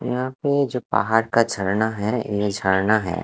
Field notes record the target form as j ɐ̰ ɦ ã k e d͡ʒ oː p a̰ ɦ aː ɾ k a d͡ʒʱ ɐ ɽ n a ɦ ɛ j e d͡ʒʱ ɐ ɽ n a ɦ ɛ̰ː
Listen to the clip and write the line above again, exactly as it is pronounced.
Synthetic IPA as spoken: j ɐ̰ ɦ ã p e d͡ʒ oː p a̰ ɦ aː ɾ k a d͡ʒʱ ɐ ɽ n a ɦ ɛ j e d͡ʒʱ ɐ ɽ n a ɦ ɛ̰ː